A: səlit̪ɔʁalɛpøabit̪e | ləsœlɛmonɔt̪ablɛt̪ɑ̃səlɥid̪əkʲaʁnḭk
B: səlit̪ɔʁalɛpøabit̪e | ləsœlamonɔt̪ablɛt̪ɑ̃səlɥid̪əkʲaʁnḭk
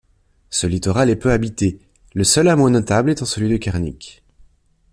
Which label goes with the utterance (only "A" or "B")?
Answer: B